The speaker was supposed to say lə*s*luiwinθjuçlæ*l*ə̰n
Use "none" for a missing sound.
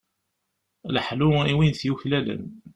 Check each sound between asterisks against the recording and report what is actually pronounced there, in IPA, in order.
ħ, l

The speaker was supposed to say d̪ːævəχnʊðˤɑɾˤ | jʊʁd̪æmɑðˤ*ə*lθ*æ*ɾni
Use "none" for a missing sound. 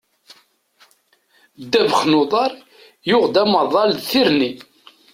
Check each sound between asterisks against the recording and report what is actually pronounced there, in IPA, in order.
ɑ, i

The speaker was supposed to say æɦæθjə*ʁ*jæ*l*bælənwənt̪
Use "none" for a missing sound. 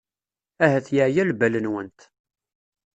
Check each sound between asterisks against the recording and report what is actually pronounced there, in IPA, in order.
ʕ, l

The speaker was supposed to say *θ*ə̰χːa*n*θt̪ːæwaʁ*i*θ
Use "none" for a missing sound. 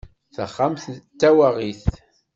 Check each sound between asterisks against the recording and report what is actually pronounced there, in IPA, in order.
θ, m, i

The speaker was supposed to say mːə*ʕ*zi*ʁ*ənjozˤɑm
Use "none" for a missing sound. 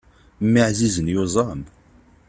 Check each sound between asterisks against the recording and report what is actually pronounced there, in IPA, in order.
ʕ, z

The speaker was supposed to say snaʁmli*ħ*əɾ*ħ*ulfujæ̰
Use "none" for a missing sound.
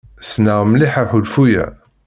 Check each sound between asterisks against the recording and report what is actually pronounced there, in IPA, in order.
ħ, ħ

